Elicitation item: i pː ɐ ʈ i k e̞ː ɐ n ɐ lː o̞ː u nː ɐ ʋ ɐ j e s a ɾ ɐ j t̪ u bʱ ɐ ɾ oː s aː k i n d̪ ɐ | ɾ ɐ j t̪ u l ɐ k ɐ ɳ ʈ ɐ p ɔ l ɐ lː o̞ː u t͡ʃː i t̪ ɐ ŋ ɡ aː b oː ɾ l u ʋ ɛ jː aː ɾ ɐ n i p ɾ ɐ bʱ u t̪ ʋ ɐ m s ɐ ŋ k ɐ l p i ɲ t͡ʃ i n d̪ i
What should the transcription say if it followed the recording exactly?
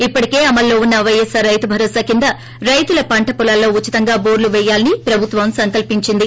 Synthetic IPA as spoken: i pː ɐ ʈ i k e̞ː ɐ m ɐ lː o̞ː u nː ɐ ʋ ɐ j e s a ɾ ɐ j t̪ u bʱ ɐ ɾ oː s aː k i n d̪ ɐ | ɾ ɐ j t̪ u l ɐ p ɐ ɳ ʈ ɐ p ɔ l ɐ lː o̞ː u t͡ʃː i t̪ ɐ ŋ ɡ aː b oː ɾ l u ʋ ɛ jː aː l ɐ n i p ɾ ɐ bʱ u t̪ ʋ ɐ m s ɐ ŋ k ɐ l p i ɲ t͡ʃ i n d̪ i

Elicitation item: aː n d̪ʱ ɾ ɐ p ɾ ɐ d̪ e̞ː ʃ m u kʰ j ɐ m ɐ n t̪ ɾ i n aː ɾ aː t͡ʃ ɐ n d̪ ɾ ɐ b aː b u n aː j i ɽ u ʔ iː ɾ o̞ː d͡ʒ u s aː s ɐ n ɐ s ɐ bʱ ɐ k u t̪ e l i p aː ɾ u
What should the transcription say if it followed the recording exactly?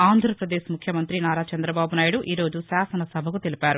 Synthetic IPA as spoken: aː n d̪ʱ ɾ ɐ p ɾ ɐ d̪ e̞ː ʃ m u kʰ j ɐ m ɐ n t̪ ɾ i n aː ɾ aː t͡ʃ ɐ n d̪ ɾ ɐ b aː b u n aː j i ɽ u ʔ iː ɾ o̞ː d͡ʒ u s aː s ɐ n ɐ s ɐ bʱ ɐ k u t̪ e l i p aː ɾ u

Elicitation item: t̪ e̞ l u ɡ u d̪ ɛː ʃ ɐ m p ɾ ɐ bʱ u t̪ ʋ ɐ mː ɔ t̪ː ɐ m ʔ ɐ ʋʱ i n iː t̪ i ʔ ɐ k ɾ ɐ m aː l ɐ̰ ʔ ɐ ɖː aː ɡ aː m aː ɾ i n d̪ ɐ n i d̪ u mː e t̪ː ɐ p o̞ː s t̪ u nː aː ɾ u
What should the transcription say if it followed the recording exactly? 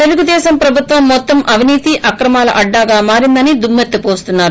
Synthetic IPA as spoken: t̪ e̞ l u ɡ u d̪ ɛː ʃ ɐ m p ɾ ɐ bʱ u t̪ ʋ ɐ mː ɔ t̪ː ɐ m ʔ ɐ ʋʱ i n iː t̪ i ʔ ɐ k ɾ ɐ m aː l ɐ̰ ʔ ɐ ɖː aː ɡ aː m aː ɾ i n d̪ ɐ n i d̪ u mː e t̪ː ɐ p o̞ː s t̪ u nː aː ɾ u

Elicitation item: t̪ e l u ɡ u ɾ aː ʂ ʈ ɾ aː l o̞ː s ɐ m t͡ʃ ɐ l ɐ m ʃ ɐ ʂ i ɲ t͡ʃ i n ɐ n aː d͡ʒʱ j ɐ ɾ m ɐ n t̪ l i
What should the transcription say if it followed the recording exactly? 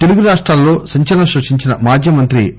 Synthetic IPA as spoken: t̪ e l u ɡ u ɾ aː ʂ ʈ ɾ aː lː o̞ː s ɐ ɲ t͡ʃ ɐ l ɐ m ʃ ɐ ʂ i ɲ t͡ʃ i n ɐ m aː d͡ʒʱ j ɐ m ɐ n t̪ ɾ i

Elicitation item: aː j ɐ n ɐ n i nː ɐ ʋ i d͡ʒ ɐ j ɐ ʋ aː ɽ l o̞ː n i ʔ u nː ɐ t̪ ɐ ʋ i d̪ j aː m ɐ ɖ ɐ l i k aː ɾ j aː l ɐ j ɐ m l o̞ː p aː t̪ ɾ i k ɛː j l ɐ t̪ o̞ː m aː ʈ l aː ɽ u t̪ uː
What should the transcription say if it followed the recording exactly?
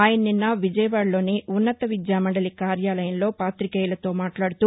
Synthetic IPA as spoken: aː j ɐ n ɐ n i nː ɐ ʋ i d͡ʒ ɐ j ɐ ʋ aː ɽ l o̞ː n i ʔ u nː ɐ t̪ ɐ ʋ i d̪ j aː m ɐ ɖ ɐ l i k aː ɾ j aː l ɐ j ɐ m l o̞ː p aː t̪ ɾ i k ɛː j l ɐ t̪ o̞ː m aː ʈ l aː ɽ u t̪ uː

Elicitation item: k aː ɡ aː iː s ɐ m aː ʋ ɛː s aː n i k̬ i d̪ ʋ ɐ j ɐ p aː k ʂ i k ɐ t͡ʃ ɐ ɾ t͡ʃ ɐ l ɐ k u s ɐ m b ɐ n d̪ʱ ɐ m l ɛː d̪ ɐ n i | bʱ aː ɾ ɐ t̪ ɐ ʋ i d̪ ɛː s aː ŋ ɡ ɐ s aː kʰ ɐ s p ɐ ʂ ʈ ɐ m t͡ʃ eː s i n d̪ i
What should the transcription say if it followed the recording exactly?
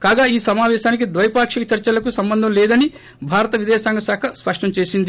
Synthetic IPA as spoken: k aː ɡ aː iː s ɐ m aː ʋ ɛː ʃ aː n i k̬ i d̪ ʋ ɐ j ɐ p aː k ʂ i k ɐ t͡ʃ ɐ ɾ t͡ʃ ɐ l ɐ k u s ɐ m b ɐ n d̪ʱ ɐ m l ɛː d̪ ɐ n i | bʱ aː ɾ ɐ t̪ ɐ ʋ i d̪ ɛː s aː ŋ ɡ ɐ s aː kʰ ɐ s p ɐ ʂ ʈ ɐ m t͡ʃ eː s i n d̪ i

